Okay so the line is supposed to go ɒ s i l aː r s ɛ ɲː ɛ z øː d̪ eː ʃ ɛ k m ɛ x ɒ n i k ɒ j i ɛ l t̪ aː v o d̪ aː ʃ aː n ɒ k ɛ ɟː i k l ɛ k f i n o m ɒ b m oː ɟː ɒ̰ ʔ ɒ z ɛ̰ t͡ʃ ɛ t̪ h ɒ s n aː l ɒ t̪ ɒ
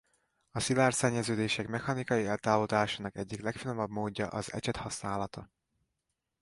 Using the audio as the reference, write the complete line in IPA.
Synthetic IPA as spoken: ɒ s i l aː r s ɛ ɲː ɛ z øː d̪ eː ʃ ɛ k m ɛ x ɒ n i k ɒ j i ɛ l t̪ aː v o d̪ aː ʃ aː n ɒ k ɛ ɟː i k l ɛ k f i n o m ɒ b m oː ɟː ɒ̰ ʔ ɒ z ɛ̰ t͡ʃ ɛ t̪ h ɒ s n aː l ɒ t̪ ɒ